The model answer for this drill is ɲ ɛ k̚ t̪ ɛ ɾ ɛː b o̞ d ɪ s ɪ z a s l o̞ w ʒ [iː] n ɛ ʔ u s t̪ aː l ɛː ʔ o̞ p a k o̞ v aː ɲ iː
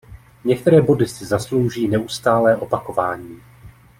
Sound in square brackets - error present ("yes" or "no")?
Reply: no